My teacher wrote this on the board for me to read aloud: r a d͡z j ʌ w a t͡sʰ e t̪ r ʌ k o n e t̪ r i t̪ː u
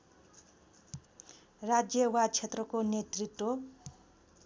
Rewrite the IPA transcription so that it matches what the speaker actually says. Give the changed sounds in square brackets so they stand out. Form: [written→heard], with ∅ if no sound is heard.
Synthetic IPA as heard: r a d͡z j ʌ w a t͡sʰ e t̪ r ʌ k o n e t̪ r i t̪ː [u→o]